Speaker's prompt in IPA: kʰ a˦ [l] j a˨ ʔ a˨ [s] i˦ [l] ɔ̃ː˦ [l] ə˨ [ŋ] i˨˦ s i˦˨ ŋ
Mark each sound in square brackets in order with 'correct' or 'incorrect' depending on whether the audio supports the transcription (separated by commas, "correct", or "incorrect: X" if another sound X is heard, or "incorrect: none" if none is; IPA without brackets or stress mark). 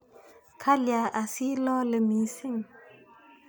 correct, correct, correct, correct, incorrect: m